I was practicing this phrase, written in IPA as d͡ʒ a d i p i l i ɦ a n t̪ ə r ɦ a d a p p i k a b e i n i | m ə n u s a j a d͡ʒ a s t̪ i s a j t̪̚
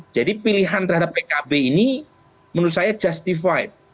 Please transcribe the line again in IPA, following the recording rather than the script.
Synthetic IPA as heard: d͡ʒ a d i p i l i ɦ a n t̪ ə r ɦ a d a p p e k a b e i n i | m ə n u s a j a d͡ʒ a s t̪ i f a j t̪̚